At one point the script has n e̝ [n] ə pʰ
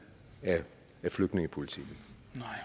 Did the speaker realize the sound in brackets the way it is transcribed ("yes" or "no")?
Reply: no